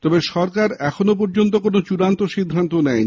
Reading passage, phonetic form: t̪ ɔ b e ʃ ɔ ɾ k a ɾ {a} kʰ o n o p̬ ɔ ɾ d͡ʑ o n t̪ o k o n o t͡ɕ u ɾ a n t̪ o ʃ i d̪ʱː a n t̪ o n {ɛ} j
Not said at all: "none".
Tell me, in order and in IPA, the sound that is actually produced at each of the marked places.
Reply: ɛ, ɛ

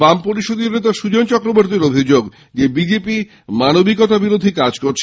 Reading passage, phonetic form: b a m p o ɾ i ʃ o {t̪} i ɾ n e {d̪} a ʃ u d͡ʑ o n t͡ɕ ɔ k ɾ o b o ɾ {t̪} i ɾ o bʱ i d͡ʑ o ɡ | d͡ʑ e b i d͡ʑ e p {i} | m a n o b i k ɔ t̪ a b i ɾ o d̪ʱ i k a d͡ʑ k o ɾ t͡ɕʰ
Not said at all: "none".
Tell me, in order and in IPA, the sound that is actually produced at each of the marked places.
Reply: d̪, t̪, t̪, i

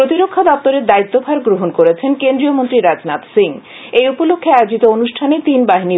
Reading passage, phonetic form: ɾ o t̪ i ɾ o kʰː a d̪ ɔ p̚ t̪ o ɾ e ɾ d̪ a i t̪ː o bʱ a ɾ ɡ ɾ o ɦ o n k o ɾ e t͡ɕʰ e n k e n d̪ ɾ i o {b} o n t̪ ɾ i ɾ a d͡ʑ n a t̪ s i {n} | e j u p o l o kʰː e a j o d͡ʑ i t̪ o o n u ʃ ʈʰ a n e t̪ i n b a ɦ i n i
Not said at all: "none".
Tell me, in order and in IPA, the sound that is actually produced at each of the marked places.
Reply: m, ŋ

